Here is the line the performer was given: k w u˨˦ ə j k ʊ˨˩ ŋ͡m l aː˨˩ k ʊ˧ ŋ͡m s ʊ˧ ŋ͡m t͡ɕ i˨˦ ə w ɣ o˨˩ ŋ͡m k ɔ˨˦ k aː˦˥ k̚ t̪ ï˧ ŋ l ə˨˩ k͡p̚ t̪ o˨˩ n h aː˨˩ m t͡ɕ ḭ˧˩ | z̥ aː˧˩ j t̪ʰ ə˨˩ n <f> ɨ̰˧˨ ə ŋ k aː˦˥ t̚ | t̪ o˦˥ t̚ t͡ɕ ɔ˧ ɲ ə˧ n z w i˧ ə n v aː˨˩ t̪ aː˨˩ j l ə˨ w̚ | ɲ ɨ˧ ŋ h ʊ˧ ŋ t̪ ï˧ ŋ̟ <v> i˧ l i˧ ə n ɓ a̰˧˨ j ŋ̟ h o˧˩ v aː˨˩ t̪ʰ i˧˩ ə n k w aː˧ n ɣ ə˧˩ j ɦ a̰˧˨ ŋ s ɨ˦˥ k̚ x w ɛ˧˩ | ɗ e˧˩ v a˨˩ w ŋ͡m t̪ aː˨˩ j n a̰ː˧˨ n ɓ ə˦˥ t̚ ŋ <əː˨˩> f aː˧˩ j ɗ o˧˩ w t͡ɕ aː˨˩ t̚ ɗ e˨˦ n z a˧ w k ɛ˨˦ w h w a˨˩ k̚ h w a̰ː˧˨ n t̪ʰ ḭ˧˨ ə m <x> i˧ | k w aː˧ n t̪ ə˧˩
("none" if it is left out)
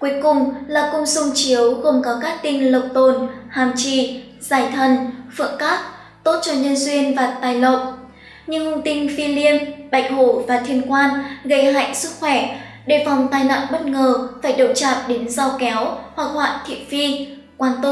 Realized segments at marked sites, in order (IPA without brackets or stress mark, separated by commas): f, f, əː˨˩, f